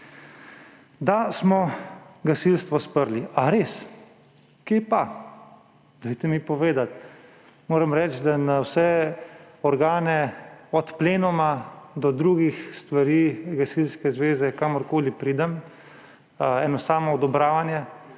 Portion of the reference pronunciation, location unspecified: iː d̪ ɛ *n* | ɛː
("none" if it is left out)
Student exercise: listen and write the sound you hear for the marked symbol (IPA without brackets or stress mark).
m